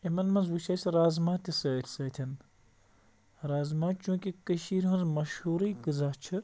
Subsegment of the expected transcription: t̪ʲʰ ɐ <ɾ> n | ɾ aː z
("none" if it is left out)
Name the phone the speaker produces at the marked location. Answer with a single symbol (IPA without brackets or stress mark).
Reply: none